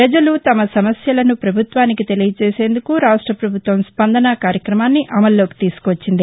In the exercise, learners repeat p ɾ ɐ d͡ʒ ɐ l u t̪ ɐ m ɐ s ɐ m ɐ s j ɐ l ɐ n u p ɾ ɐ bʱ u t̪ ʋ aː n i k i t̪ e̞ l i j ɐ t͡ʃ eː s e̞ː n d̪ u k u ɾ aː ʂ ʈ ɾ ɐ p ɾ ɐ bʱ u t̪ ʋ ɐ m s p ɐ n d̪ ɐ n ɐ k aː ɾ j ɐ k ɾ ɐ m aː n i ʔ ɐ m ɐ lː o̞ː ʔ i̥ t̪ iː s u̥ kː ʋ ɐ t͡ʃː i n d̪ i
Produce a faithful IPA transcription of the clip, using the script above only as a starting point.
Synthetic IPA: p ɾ ɐ d͡ʒ ɐ l u t̪ ɐ m ɐ s ɐ m ɐ s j ɐ l ɐ n u p ɾ ɐ bʱ u t̪ ʋ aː n i k i t̪ e̞ l i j ɐ t͡ʃ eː s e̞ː n d̪ u k u ɾ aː ʂ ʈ ɾ ɐ p ɾ ɐ bʱ u t̪ ʋ ɐ m s p ɐ n d̪ ɐ n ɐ k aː ɾ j ɐ k ɾ ɐ m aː nː i ʔ ɐ m ɐ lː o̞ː k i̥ t̪ iː s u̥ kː ʋ ɐ t͡ʃː i n d̪ i